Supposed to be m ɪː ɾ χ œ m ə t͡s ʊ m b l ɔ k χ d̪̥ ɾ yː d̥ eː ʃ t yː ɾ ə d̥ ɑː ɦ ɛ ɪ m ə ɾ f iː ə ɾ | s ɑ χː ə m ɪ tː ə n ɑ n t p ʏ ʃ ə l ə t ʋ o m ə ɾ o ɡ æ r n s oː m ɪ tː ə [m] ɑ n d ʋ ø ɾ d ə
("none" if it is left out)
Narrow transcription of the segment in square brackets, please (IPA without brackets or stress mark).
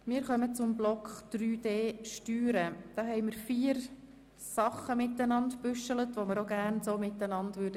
n